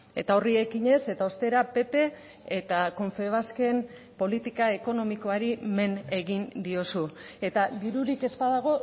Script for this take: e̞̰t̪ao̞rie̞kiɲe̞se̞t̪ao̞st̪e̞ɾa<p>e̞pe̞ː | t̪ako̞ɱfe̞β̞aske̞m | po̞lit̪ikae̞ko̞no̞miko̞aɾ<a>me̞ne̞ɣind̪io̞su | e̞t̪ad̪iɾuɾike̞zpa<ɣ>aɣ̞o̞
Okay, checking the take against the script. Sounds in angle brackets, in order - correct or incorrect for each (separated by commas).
correct, incorrect, incorrect